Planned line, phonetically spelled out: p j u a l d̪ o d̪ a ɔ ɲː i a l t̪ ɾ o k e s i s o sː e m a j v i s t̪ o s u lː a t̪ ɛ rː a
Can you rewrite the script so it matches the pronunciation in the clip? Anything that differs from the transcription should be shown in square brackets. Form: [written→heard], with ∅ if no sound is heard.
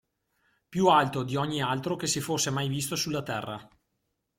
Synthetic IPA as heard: p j u a l [d̪→t̪] o d̪ [a→i] ɔ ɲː i a l t̪ ɾ o k e s i [s→f] o sː e m a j v i s t̪ o s u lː a t̪ ɛ rː a